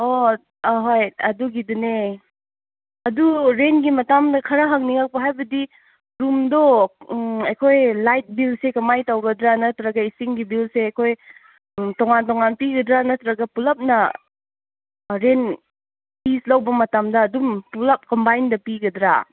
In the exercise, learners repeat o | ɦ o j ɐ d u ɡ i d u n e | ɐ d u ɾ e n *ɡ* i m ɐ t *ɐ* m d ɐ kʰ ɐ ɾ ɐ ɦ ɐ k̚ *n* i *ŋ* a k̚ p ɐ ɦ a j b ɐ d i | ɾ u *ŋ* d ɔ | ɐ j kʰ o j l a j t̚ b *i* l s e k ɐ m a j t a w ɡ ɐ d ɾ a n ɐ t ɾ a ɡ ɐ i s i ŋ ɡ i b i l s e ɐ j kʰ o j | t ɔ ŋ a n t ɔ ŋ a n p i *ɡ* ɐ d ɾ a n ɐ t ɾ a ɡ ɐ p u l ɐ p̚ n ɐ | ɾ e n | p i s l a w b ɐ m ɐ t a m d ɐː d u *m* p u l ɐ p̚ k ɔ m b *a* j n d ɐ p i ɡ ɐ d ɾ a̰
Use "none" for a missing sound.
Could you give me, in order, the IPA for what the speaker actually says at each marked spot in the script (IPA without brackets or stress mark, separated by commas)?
ɡ, a, n, ŋ, m, i, ɡ, m, a